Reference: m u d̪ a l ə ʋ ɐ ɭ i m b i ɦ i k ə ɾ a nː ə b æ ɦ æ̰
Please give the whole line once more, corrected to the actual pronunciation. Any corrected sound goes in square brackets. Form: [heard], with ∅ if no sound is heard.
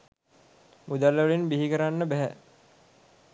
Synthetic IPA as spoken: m u d̪ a l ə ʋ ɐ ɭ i [n] b i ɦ i k ə ɾ a nː ə b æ ɦ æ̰